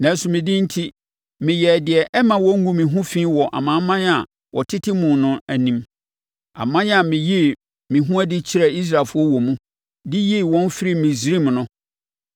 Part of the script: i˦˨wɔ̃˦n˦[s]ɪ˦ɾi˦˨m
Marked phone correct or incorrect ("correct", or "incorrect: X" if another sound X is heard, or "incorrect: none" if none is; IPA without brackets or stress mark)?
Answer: incorrect: f